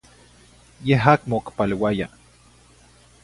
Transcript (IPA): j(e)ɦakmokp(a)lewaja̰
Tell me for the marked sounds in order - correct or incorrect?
correct, correct

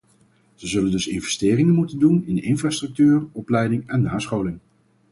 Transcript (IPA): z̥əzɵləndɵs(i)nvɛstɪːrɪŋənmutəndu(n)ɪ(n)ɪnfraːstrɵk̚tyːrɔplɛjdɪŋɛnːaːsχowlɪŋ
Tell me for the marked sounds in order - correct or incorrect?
incorrect: ɪ, correct, correct

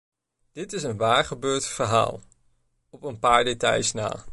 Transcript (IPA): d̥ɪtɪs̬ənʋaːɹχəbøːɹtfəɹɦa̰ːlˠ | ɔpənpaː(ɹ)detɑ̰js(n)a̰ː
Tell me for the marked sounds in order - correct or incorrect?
correct, correct

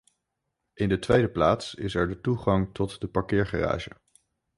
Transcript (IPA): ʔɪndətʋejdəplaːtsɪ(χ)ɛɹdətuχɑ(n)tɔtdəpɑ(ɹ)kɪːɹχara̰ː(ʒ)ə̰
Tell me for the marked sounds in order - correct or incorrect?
incorrect: s, incorrect: ŋ, correct, correct

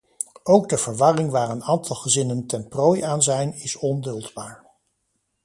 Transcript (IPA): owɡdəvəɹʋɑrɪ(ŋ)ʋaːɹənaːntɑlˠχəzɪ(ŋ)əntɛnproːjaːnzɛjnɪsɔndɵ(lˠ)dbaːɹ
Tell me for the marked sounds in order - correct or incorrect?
correct, incorrect: n, correct

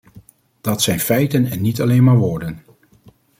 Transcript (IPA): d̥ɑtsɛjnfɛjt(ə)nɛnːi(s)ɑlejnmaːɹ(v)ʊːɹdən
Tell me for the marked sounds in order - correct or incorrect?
correct, incorrect: t, incorrect: ʋ

